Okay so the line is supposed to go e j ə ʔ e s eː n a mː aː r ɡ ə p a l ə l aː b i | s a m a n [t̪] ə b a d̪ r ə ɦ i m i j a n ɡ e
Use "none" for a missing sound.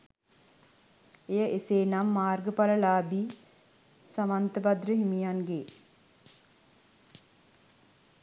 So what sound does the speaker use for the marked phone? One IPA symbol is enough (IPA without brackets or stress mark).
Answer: t̪